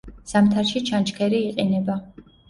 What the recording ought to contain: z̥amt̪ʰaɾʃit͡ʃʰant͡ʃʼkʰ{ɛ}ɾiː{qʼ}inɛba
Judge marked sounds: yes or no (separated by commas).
yes, yes